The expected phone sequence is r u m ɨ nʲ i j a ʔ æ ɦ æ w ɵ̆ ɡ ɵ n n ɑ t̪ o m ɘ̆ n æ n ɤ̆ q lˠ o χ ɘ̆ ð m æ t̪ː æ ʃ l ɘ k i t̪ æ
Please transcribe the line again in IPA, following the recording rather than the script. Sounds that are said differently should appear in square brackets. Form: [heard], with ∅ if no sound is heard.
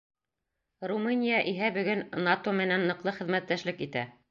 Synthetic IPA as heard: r u m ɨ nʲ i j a ʔ [i] ɦ æ [b] ɵ̆ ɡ ɵ n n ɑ t̪ o m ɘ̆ n æ [nː] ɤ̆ q lˠ [ɤ] χ ɘ̆ ð m æ t̪ː æ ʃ l ɘ k i t̪ æ